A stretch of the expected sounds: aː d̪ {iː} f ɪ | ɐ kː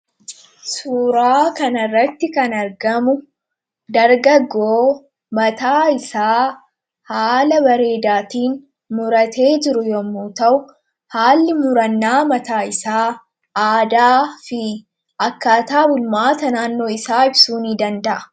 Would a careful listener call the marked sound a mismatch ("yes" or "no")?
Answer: yes